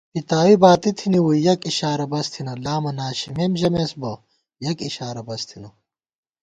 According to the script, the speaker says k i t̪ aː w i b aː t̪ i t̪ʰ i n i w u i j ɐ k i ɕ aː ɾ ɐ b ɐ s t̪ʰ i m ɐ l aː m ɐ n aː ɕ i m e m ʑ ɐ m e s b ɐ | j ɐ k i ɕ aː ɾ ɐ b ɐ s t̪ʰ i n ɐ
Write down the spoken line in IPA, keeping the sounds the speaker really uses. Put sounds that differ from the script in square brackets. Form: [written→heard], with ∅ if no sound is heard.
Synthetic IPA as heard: [k→p] i t̪ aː w i b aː t̪ i t̪ʰ i n i w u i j ɐ k i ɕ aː ɾ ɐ b ɐ s t̪ʰ i [m→n] ɐ l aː m ɐ n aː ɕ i m e m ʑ ɐ m e s b ɐ | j ɐ k i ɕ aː ɾ ɐ b ɐ s t̪ʰ i n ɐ